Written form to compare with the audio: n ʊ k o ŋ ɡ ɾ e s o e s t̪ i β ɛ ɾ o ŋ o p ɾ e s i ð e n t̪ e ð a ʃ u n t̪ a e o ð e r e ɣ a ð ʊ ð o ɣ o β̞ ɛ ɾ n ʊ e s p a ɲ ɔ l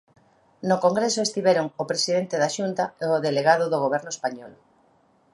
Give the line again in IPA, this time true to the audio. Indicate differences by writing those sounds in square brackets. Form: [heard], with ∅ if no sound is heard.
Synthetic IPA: n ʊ k o ŋ ɡ ɾ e s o e s t̪ i β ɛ ɾ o ŋ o p ɾ e s i ð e n t̪ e ð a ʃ u n t̪ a e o ð e [l] e ɣ a ð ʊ ð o ɣ o β̞ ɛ ɾ n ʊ e s p a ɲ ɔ l